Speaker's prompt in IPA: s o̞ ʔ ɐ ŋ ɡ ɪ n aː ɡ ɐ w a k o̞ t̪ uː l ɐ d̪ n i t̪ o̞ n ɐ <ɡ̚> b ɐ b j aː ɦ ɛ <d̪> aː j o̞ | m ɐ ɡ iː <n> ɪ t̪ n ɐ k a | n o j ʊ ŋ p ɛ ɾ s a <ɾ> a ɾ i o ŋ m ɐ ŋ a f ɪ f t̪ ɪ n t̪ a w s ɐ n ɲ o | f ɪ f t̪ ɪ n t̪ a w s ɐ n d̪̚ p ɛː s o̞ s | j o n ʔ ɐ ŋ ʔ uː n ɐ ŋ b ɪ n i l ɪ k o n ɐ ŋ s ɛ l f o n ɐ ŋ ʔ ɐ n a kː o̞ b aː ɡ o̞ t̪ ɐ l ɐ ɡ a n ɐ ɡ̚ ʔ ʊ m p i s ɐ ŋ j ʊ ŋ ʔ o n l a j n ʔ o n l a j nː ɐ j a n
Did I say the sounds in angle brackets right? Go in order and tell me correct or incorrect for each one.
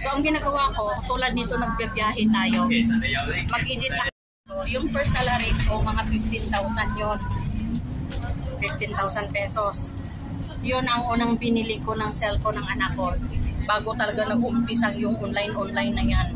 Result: correct, incorrect, correct, incorrect

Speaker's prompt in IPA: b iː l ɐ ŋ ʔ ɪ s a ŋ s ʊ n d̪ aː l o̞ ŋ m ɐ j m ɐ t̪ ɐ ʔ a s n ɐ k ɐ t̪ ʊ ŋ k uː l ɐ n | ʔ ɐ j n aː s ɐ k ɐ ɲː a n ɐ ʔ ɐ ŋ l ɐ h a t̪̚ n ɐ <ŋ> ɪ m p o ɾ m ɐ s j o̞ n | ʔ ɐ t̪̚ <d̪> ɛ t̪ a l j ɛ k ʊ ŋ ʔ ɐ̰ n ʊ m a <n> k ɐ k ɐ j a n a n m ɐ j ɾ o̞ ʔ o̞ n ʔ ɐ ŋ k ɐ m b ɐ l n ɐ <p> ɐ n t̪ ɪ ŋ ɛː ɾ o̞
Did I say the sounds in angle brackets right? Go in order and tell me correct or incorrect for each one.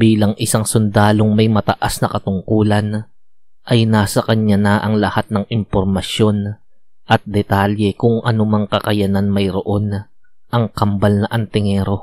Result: correct, correct, incorrect, incorrect

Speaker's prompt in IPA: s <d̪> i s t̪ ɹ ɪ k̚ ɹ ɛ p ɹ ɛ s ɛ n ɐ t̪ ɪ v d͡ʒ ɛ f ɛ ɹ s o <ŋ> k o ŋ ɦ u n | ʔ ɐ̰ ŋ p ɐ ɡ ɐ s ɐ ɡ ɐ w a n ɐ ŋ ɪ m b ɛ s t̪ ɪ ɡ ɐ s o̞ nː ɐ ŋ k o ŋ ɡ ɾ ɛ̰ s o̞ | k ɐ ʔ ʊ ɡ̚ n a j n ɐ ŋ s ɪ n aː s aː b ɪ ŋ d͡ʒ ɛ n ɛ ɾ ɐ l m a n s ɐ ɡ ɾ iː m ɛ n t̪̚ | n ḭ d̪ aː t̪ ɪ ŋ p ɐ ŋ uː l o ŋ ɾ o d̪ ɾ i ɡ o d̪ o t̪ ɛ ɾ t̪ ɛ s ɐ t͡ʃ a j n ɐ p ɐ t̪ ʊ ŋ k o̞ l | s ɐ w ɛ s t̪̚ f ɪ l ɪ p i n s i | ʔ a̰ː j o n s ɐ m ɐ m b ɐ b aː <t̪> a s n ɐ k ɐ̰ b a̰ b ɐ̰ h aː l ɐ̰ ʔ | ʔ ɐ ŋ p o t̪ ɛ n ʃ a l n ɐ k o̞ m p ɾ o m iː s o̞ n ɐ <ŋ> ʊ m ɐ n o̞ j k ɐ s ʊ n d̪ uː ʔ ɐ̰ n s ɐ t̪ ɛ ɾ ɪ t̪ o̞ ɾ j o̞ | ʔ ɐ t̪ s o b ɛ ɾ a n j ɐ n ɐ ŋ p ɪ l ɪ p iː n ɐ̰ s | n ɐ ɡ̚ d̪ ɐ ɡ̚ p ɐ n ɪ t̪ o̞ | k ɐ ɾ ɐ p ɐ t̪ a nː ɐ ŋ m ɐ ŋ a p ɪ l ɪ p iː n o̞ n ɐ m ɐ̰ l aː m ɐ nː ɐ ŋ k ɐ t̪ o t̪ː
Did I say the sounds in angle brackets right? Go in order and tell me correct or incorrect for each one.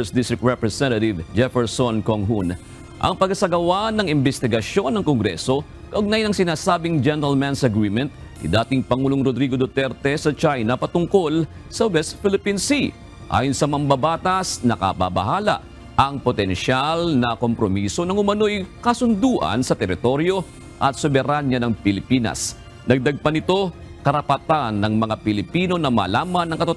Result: correct, incorrect, correct, correct

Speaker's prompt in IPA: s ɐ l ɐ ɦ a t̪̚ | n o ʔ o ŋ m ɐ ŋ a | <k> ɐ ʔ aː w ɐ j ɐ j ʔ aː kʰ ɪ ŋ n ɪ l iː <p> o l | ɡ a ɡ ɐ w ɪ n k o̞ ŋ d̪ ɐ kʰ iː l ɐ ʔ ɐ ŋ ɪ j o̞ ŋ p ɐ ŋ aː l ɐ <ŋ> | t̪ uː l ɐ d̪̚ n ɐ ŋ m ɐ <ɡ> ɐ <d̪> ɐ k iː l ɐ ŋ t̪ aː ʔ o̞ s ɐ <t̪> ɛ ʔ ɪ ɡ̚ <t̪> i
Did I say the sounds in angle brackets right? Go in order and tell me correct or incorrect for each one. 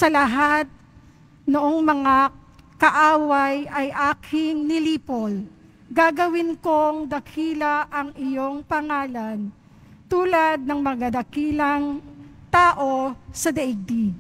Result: correct, correct, incorrect, correct, correct, incorrect, incorrect

